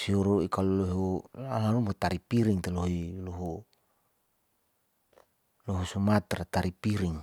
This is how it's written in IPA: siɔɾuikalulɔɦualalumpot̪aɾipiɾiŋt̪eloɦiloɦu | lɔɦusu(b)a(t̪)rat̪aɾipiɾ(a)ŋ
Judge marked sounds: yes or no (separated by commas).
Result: no, yes, no